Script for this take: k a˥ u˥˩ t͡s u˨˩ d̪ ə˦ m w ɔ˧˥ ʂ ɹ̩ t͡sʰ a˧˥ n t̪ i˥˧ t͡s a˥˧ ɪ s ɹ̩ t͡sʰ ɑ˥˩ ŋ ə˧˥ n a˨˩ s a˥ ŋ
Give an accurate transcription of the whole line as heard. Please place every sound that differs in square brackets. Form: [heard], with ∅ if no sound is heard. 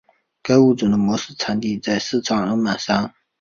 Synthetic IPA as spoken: k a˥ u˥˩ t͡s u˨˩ d̪ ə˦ m w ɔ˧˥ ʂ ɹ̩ t͡sʰ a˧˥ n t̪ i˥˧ t͡s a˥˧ ɪ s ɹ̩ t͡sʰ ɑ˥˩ ŋ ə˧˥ [m] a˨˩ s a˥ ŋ